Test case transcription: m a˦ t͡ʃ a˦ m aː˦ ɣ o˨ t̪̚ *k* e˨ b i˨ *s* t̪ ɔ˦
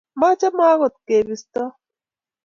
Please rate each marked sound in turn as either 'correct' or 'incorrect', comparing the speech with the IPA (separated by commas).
correct, correct